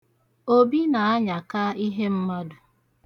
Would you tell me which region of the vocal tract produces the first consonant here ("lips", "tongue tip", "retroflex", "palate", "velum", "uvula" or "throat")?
lips